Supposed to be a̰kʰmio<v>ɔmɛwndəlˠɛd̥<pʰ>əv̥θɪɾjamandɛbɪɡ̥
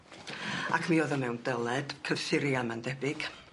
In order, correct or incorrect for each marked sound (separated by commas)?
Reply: incorrect, incorrect